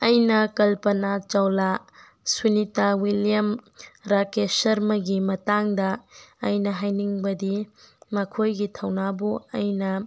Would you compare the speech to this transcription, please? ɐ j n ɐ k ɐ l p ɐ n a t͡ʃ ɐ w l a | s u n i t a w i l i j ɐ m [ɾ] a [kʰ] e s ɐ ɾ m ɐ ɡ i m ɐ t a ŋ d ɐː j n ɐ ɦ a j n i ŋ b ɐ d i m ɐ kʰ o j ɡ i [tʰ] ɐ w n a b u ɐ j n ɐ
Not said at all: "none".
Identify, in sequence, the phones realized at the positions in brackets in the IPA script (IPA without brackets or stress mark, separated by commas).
ɾ, k, tʰ